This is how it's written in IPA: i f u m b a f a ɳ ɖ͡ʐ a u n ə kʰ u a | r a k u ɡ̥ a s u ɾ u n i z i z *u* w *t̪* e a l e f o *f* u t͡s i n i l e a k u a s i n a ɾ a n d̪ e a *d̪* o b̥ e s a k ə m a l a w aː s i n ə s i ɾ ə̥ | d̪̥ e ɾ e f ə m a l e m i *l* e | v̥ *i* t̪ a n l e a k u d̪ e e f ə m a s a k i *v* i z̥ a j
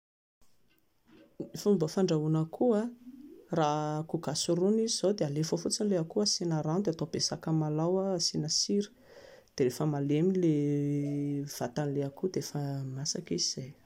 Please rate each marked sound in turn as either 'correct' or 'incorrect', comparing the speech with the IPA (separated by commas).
incorrect, incorrect, correct, incorrect, correct, incorrect, incorrect